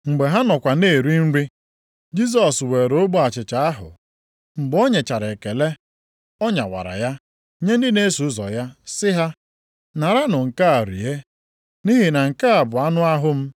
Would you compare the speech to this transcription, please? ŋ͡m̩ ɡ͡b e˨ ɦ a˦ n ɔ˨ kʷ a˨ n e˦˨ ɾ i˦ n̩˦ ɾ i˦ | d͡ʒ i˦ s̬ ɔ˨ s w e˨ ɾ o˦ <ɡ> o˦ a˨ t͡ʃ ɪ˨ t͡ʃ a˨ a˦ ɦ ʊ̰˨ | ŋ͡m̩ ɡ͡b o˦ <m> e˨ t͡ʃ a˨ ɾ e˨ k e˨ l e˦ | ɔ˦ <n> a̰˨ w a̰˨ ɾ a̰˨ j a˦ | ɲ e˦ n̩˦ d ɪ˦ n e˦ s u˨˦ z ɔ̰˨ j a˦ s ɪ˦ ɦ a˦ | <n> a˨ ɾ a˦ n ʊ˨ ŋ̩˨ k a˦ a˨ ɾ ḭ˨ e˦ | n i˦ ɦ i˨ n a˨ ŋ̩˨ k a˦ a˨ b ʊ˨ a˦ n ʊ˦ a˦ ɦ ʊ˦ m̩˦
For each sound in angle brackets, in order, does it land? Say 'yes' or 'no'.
no, no, no, yes

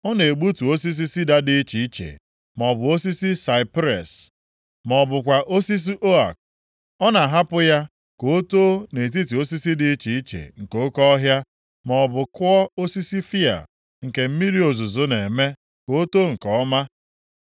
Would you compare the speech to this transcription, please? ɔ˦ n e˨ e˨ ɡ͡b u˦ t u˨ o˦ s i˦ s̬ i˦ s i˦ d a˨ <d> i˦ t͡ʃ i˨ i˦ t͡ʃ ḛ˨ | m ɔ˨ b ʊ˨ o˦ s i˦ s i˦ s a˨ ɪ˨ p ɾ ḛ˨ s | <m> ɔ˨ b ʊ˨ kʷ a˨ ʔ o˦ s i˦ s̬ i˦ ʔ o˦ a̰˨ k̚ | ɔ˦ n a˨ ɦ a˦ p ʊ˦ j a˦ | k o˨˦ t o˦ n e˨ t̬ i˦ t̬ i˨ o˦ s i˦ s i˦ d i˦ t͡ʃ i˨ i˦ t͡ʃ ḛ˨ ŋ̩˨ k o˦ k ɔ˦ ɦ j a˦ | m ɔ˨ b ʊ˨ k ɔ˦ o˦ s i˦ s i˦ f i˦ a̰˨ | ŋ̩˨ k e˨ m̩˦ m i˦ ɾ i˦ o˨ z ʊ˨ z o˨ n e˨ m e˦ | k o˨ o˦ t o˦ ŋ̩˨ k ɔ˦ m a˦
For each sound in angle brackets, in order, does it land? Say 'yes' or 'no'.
yes, yes

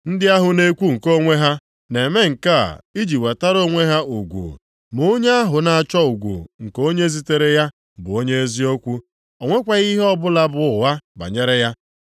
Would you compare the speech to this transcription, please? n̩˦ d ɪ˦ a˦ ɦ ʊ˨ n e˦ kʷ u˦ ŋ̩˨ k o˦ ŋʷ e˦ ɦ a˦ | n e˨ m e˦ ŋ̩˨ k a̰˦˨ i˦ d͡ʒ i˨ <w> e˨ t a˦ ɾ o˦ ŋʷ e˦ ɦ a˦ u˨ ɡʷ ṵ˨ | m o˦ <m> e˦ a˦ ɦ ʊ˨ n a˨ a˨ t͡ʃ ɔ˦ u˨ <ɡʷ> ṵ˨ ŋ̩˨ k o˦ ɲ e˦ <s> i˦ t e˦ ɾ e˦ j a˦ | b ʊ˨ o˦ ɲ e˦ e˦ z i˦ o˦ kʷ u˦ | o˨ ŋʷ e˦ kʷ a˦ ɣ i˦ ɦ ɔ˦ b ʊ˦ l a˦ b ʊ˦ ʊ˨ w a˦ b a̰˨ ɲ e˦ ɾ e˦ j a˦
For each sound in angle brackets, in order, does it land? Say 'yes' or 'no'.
yes, no, yes, no

